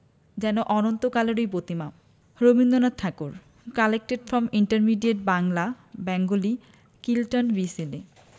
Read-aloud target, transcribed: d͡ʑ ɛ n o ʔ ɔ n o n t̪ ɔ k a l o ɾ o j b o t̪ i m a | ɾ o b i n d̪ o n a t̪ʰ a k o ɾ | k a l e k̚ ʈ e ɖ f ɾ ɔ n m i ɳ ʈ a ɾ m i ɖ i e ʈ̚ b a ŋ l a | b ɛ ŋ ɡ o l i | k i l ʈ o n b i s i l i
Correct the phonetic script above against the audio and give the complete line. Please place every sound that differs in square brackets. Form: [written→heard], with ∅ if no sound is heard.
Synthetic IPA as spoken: d͡ʑ ɛ n o ʔ ɔ n o n t̪ [ɔ→o] k a l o ɾ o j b o t̪ i m a | ɾ o b i n d̪ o n a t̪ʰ a k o ɾ | k a l e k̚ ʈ e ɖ f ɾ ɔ [n→∅] m i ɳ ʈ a ɾ m i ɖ i e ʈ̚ b a ŋ l a | b ɛ ŋ ɡ o l i | k i l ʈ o n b i s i l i